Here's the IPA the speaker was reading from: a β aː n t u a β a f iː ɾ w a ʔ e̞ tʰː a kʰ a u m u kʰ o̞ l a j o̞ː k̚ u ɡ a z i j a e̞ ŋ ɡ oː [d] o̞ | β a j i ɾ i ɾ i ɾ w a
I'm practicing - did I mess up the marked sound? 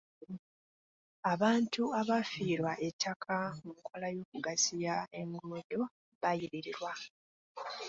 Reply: no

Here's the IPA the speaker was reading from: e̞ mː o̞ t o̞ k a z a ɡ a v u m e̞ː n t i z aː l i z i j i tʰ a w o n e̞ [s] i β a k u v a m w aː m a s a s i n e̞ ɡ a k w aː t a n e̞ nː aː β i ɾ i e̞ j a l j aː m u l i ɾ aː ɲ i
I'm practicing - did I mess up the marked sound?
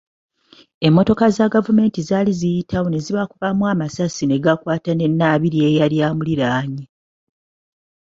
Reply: yes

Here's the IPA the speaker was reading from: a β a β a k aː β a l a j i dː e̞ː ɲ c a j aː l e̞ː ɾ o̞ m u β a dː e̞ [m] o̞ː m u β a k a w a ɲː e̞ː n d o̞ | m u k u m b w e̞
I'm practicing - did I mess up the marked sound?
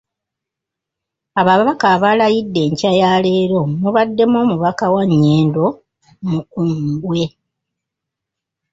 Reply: no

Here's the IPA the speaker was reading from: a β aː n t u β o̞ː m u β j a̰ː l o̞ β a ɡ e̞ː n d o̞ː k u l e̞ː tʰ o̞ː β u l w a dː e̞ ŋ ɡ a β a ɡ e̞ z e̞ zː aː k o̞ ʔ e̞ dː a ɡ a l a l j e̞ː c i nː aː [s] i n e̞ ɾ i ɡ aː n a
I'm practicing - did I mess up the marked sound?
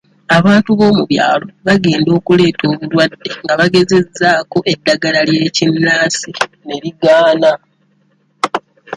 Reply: no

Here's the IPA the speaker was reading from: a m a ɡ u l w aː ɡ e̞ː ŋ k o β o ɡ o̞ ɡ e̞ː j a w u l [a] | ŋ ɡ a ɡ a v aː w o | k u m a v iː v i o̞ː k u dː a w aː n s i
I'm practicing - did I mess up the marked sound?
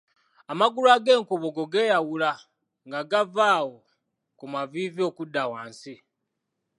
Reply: no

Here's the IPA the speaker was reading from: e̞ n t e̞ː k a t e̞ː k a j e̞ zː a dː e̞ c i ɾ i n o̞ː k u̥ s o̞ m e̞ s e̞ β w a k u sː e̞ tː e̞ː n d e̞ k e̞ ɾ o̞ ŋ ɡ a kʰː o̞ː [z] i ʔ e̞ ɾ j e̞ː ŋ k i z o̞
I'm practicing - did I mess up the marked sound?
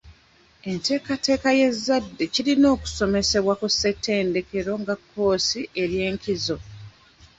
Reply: yes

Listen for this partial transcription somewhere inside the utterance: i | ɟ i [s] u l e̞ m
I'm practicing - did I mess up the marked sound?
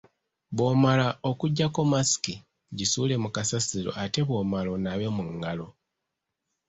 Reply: no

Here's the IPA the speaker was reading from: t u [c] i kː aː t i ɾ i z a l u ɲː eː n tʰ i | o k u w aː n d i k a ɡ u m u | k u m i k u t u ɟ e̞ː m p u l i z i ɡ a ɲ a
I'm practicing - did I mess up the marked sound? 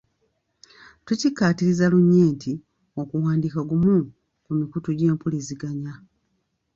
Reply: no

